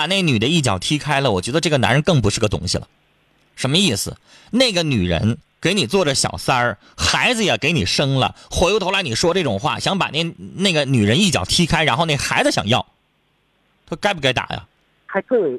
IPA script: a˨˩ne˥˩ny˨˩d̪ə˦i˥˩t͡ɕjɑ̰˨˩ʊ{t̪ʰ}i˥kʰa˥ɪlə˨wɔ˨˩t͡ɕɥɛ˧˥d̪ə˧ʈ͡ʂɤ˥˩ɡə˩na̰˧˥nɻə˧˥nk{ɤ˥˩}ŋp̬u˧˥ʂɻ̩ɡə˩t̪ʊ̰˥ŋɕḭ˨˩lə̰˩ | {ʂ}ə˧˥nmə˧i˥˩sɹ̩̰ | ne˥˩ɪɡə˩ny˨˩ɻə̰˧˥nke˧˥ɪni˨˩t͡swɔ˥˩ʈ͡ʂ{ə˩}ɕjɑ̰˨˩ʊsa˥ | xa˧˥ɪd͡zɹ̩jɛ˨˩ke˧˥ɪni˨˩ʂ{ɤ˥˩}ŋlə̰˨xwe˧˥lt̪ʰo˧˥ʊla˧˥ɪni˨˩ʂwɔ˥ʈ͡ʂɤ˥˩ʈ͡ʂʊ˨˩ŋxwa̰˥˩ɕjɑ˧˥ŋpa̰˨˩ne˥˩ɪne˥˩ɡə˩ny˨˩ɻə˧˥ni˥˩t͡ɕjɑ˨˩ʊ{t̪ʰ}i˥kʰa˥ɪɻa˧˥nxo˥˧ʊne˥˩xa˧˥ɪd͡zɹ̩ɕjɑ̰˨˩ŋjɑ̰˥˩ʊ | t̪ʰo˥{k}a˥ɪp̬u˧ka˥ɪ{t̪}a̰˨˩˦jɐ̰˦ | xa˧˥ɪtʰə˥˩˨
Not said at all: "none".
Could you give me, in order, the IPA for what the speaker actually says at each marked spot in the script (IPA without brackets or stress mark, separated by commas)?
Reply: t̪ʰ, ɤ˥˩, ʂ, ə˩, ɤ˥, t̪ʰ, k, t̪